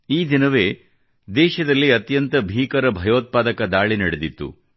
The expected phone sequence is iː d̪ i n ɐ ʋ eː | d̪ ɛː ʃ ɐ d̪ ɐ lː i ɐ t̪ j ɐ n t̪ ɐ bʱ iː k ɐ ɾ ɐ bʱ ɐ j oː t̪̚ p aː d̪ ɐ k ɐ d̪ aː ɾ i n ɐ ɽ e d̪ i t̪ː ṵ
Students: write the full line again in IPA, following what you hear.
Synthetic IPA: iː d̪ i n ɐ ʋ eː | d̪ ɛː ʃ ɐ d̪ ɐ lː i ɐ t̪ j ɐ n t̪ ɐ bʱ iː k ɐ ɾ ɐ bʱ ɐ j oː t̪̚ p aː d̪ ɐ k ɐ d̪ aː ɭ i n ɐ ɽ e d̪ i t̪ː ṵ